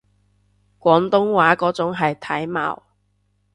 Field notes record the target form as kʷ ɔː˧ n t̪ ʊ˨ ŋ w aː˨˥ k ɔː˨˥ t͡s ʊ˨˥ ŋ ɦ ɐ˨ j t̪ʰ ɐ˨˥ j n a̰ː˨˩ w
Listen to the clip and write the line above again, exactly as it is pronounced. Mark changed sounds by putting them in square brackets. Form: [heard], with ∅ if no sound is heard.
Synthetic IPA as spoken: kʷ [ɔː˨˥] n t̪ [ʊ˥] ŋ w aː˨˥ k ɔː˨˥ t͡s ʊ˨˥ ŋ ɦ ɐ˨ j t̪ʰ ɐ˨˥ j [m] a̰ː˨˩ w